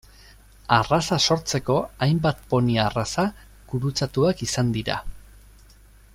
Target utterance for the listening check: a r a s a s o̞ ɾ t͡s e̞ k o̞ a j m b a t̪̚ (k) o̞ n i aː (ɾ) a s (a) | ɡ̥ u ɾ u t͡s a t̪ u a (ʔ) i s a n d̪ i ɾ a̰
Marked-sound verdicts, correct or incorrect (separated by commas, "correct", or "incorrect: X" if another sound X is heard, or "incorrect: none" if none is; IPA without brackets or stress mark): incorrect: p, incorrect: r, correct, incorrect: k